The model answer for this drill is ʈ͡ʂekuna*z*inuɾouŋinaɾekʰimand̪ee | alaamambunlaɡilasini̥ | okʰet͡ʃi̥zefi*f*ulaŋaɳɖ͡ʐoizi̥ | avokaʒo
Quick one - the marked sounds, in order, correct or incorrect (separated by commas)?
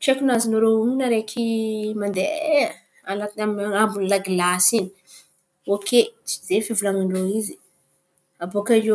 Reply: correct, incorrect